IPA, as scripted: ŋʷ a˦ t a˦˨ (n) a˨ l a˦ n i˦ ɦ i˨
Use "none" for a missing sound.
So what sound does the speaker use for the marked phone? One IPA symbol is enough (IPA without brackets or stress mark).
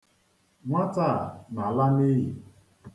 n